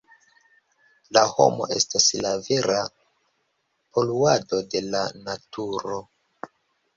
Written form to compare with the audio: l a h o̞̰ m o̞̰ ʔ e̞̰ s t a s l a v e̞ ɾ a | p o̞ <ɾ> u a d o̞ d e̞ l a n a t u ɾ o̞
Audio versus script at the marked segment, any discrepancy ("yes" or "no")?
yes